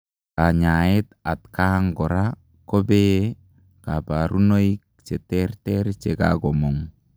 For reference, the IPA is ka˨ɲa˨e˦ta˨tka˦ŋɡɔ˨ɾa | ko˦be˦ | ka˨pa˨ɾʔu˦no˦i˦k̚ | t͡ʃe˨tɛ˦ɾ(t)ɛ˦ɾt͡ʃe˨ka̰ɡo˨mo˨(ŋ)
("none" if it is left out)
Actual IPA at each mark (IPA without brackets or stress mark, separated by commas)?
t, ŋ